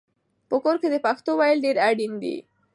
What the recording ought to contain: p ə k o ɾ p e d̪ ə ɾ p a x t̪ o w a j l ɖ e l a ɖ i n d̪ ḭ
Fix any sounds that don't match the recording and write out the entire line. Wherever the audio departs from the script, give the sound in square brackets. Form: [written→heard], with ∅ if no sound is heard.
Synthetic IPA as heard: p ə k o ɾ [p→k] e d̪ ə [ɾ→∅] p a x t̪ o w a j l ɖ e [l→ɾ] a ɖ i n d̪ ḭ